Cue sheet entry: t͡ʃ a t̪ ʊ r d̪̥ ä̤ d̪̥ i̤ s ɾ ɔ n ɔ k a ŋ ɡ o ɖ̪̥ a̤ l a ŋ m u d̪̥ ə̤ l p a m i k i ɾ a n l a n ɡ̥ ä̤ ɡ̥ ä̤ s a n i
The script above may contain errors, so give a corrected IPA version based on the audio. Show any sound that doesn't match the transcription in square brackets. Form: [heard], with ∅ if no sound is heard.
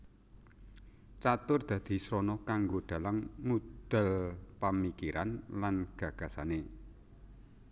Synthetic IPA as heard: t͡ʃ a t̪ ʊ r d̪̥ ä̤ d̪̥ i̤ s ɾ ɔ n ɔ k a ŋ ɡ o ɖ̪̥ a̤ l a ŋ m u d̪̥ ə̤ l p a m i k i ɾ a n l a n ɡ̥ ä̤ ɡ̥ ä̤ s a n [e]